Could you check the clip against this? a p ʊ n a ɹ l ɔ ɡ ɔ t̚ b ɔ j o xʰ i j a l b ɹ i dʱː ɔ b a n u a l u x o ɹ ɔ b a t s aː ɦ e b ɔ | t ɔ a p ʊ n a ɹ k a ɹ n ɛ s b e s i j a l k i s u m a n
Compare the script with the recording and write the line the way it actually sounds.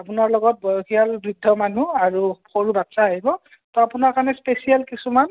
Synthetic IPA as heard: a p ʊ n a ɹ l ɔ ɡ ɔ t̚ b ɔ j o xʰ i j a l b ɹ i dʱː ɔ m a n u a ɹ u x o ɹ u b a t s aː ɦ i b ɔ | t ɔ a p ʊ n a ɹ k a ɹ n ɛ s p e s i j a l k i s u m a n

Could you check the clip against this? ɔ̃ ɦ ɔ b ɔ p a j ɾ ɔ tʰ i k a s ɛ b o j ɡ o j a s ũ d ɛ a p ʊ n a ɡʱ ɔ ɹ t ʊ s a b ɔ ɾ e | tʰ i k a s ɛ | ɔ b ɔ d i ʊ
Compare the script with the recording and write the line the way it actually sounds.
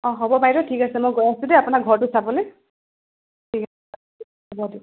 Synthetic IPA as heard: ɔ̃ ɦ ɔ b ɔ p a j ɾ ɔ tʰ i k a s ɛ m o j ɡ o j a s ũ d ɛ a p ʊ n a ɡʱ ɔ ɹ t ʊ s a b ɔ l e | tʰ i k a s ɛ | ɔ b ɔ d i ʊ

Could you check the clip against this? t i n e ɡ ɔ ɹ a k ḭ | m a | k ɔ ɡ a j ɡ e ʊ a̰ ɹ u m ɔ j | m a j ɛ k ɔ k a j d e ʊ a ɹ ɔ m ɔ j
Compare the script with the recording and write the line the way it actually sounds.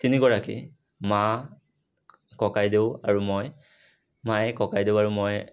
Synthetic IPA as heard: t i n i ɡ ɔ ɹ a k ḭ | m a | k ɔ k a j d e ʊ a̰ ɹ u m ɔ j | m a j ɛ k ɔ k a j d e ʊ a ɹ u m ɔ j

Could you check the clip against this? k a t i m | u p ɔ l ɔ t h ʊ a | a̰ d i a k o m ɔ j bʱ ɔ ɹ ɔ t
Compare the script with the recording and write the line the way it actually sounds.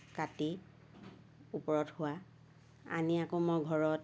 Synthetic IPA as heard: k a t i | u p ɔ ɹ ɔ t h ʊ a | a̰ n i a k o m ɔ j ɡʱ ɔ ɹ ɔ t

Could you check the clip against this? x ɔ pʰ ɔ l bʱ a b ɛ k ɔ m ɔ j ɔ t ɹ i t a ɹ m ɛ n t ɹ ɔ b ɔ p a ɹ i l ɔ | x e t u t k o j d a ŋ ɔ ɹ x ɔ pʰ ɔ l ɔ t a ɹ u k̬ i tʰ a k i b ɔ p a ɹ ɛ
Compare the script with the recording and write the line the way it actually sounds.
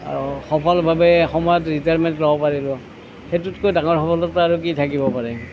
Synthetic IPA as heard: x ɔ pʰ ɔ l bʱ a b ɛ x ɔ m ɔ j ɔ t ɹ i t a ɹ m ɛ n t l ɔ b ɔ p a ɹ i l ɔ | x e t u t k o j d a ŋ ɔ ɹ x ɔ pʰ ɔ l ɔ t a ɹ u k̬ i tʰ a k i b ɔ p a ɹ ɛ

